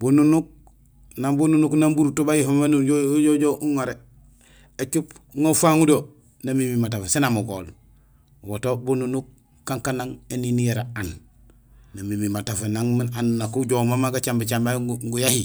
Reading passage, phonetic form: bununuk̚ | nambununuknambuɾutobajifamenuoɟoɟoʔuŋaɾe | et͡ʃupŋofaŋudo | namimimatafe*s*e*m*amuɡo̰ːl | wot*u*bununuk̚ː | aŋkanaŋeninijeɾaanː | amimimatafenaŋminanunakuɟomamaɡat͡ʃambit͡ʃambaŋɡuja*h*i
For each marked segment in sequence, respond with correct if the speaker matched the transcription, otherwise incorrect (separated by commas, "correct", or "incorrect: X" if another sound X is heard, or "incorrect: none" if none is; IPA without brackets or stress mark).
correct, incorrect: n, incorrect: o, correct